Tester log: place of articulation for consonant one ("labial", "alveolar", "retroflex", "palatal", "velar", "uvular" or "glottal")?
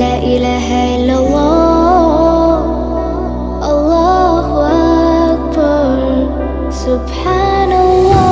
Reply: glottal